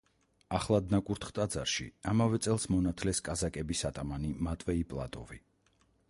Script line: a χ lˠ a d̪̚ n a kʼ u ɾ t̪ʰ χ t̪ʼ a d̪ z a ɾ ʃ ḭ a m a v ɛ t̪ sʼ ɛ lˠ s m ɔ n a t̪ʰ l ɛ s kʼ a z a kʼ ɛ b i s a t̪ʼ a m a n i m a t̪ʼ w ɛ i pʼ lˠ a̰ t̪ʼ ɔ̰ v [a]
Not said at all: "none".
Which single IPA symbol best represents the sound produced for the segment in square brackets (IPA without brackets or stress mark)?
i